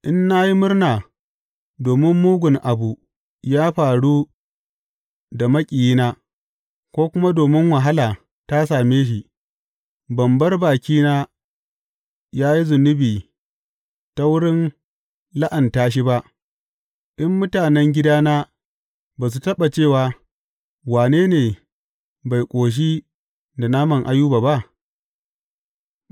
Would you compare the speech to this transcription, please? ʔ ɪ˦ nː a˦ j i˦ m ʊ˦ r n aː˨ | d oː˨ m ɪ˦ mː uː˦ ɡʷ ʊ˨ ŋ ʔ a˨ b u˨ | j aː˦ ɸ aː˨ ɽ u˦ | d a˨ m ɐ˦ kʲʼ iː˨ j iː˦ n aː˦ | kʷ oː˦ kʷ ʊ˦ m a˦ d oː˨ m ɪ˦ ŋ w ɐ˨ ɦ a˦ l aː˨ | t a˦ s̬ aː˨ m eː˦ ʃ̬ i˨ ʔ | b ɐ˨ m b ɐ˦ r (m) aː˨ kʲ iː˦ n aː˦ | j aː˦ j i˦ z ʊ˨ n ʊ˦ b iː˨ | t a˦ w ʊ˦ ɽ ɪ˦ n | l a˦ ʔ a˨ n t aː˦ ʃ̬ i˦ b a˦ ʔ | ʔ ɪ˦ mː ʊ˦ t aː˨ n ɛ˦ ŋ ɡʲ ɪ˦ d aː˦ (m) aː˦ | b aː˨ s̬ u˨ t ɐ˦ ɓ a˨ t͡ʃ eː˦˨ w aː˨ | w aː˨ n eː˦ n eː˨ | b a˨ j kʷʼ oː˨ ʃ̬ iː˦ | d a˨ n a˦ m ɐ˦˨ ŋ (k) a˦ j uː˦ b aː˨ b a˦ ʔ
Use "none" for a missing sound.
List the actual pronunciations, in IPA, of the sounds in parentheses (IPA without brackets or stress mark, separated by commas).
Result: b, n, ʔ